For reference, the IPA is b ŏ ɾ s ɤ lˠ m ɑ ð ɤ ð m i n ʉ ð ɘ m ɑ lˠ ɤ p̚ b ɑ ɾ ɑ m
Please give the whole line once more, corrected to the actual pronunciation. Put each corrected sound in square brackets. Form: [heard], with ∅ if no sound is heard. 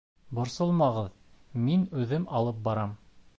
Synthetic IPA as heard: b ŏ ɾ s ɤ lˠ m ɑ [ʁ] ɤ ð m i n ʉ ð ɘ m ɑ lˠ ɤ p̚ b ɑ ɾ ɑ m